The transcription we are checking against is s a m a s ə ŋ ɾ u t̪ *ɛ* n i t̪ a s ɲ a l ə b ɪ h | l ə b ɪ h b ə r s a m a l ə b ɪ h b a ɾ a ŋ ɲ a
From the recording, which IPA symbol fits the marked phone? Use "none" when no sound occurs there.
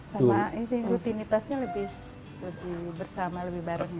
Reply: i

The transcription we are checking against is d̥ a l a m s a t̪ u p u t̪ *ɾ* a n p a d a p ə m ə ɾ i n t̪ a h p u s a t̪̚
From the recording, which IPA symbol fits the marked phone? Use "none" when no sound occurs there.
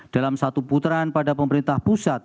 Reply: ɾ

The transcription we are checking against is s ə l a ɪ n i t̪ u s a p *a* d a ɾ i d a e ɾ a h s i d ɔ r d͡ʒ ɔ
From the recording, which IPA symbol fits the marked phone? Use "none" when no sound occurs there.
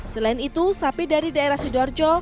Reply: i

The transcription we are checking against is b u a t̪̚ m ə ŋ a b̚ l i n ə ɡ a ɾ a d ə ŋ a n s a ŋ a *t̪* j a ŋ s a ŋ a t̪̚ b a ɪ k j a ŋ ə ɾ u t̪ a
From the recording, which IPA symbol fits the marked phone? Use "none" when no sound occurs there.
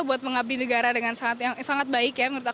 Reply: t̪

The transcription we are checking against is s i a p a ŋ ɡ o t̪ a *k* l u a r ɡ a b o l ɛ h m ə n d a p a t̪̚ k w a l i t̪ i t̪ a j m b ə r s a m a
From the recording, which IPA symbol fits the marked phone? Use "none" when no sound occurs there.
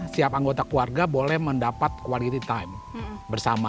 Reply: k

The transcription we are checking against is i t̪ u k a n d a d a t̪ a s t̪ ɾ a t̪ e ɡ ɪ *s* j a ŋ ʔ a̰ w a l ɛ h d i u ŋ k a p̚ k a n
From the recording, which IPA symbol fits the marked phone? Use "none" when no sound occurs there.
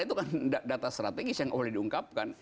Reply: s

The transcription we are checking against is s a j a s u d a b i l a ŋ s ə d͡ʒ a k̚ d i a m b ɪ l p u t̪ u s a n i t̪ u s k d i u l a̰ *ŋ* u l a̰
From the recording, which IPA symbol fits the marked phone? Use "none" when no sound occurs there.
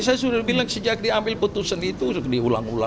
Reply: ŋ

